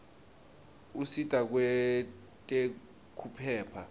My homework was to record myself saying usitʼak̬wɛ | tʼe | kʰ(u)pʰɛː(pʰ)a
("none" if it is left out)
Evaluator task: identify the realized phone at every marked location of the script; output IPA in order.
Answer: u, pʰ

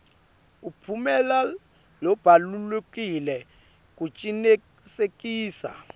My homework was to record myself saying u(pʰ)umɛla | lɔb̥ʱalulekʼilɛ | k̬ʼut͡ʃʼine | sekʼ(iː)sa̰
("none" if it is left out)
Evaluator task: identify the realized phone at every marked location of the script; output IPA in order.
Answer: pʰ, iː

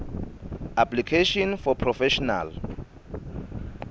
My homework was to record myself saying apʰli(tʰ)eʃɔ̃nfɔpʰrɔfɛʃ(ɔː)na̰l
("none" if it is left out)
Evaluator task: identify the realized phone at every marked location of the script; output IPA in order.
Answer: kʰ, ɔ

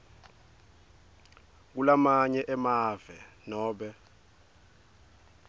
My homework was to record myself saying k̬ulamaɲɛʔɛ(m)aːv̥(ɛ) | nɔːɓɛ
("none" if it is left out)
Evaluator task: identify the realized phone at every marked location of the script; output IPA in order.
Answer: m, ɛ

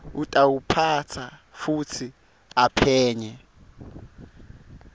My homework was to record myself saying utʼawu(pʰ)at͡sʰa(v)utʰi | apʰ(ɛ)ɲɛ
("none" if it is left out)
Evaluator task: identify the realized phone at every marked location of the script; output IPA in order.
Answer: pʰ, f, ɛː

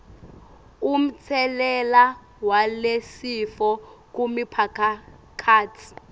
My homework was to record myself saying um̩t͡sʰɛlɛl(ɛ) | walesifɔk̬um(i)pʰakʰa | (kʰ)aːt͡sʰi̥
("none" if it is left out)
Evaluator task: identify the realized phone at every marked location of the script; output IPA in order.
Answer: a, i, kʰ

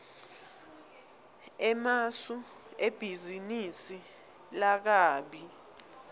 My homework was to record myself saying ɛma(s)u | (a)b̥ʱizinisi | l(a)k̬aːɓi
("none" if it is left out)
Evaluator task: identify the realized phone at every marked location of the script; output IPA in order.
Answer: s, e, a

